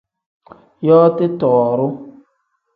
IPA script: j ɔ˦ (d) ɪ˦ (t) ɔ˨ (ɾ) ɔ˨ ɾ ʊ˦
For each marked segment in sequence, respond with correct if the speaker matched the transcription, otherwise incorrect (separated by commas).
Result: incorrect, correct, incorrect